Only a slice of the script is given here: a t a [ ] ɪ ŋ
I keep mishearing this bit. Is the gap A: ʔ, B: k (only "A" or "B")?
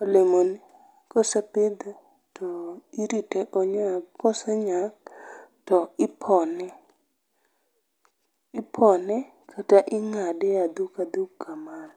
A